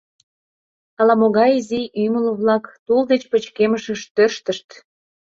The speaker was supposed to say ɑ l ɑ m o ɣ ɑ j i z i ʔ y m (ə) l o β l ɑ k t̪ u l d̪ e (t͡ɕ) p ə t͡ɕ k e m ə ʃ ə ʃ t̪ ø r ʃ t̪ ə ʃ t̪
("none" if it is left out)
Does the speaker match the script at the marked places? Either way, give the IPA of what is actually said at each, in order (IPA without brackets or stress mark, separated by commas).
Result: ə, t͡ɕ